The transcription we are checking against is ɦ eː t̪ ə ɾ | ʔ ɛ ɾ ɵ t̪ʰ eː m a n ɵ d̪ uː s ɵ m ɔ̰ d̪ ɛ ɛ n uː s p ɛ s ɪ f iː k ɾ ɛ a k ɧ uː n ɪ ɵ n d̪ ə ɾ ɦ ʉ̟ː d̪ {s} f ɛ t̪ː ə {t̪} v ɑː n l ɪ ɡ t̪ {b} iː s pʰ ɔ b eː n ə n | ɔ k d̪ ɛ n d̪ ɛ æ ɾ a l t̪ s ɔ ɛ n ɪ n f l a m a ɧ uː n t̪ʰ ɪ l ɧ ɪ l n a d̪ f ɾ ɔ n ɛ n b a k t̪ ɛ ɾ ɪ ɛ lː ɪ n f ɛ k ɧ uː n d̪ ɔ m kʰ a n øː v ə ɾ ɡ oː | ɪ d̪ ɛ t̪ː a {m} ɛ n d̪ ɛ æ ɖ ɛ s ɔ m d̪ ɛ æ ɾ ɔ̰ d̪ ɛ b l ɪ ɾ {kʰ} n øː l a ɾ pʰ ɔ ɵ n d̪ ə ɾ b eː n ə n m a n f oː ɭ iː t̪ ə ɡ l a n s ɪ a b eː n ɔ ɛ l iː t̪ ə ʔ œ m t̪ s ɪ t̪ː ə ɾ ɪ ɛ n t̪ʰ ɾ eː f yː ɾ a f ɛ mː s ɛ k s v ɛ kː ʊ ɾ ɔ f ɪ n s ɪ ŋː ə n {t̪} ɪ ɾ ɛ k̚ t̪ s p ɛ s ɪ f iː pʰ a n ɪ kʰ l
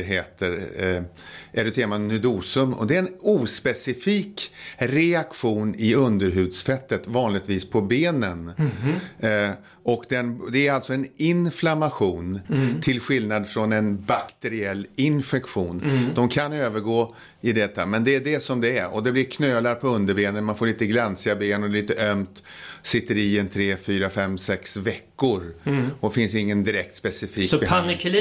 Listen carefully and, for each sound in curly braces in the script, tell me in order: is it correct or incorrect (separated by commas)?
correct, correct, incorrect, correct, correct, incorrect